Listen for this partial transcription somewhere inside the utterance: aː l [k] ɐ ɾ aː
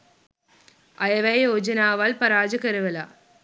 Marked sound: incorrect: p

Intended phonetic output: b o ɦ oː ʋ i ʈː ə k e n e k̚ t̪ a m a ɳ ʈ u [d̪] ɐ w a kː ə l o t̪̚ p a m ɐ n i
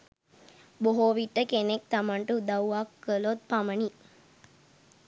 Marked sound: correct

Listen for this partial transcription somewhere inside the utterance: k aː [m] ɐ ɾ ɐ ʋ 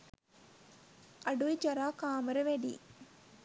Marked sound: correct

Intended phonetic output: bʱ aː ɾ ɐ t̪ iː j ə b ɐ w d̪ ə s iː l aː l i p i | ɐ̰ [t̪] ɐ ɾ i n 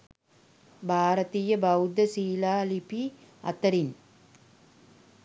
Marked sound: correct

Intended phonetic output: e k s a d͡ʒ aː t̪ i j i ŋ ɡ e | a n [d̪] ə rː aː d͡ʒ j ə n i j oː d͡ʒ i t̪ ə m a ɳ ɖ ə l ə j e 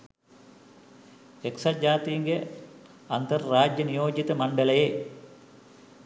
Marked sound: incorrect: t̪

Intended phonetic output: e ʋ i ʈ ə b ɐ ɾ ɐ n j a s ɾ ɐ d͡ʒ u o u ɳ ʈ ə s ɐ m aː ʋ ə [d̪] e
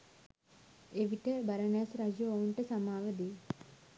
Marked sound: correct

